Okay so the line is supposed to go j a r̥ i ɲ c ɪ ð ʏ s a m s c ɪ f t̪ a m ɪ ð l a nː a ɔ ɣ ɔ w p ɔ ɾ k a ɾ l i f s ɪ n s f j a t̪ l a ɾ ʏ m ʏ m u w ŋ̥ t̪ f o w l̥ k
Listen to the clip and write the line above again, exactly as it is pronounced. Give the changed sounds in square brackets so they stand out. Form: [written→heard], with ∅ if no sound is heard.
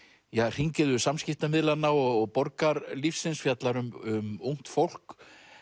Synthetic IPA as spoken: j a r̥ i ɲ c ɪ ð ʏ s a m s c ɪ f t̪ a m ɪ ð l a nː a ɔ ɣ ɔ [w→ɣ] p ɔ ɾ k a ɾ l i f s ɪ n s f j a t̪ l a ɾ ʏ m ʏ m u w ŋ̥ t̪ f o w l̥ k